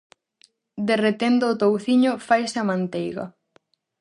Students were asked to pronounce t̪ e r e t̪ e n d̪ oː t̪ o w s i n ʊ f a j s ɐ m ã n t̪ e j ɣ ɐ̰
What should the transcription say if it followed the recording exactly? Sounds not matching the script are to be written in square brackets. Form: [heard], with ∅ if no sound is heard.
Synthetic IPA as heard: [d̪] e r e t̪ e n d̪ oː t̪ o w [θ] i [ɲ] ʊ f a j s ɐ m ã n t̪ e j ɣ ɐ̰